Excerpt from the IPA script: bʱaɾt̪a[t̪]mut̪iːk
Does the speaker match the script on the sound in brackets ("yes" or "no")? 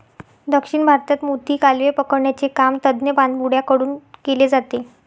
yes